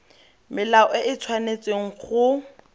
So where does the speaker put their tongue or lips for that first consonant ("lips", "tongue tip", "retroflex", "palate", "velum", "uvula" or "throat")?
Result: lips